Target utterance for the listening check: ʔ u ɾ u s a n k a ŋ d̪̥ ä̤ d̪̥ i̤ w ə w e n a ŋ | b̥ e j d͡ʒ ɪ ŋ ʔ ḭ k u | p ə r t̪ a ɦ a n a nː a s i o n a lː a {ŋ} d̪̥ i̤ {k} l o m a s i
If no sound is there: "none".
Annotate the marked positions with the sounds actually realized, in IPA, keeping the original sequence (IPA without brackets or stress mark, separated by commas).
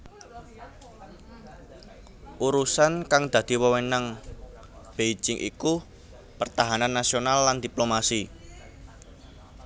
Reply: n, p